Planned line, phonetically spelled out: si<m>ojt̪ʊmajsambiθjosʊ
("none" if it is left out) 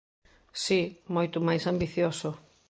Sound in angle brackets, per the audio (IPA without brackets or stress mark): m